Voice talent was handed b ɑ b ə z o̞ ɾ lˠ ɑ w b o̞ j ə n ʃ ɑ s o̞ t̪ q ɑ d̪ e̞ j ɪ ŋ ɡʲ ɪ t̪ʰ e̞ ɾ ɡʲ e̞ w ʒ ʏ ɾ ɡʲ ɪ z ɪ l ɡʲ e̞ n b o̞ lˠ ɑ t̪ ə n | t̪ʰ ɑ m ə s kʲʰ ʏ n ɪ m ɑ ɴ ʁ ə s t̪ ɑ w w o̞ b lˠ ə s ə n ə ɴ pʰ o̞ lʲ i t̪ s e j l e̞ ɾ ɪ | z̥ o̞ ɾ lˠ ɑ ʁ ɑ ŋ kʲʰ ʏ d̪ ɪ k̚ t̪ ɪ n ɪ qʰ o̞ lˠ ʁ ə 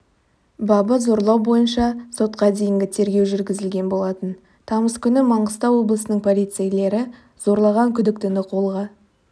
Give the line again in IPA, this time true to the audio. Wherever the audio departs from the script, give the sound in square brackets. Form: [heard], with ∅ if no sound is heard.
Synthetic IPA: b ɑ b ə z o̞ ɾ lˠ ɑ w b o̞ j ə n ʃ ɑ s o̞ t̪ q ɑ d̪ e̞ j ɪ ŋ ɡʲ ɪ t̪ʰ e̞ ɾ ɡʲ e̞ w ʒ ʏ ɾ ɡʲ ɪ z ɪ l ɡʲ e̞ n b o̞ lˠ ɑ t̪ ə n | t̪ʰ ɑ m ə s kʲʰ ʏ n ɪ m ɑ ɴ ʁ ə s t̪ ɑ w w o̞ b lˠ ə s ə n ə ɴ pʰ o̞ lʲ i t̪ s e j l e̞ ɾ ɪ | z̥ o̞ ɾ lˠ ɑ ʁ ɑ ŋ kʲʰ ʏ d̪ ɪ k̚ t̪ ɪ n ɪ qʰ o̞ lˠ ʁ [ɑ]